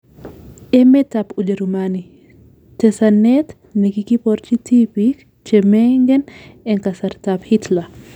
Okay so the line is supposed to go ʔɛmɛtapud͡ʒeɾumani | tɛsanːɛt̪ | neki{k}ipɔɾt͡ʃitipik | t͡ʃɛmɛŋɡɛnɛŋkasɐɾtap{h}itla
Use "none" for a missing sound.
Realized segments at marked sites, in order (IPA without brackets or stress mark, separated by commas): k, h